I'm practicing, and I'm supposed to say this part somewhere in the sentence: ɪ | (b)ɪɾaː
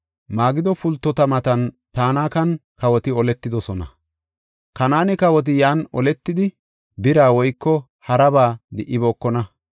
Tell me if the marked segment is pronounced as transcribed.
yes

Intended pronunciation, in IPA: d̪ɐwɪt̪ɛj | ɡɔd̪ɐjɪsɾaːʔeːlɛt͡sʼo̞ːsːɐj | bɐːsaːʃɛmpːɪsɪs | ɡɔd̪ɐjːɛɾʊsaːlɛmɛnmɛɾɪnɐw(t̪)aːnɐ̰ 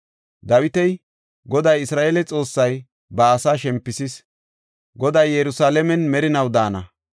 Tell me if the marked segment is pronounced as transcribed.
no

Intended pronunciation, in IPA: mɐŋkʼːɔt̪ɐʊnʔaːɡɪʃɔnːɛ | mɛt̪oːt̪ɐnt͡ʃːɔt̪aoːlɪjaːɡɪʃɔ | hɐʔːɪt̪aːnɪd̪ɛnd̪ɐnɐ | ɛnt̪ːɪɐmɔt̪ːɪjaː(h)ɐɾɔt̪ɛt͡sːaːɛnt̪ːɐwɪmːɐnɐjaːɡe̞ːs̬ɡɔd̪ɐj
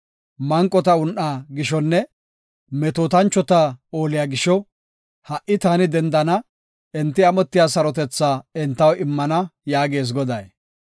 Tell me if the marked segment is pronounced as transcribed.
no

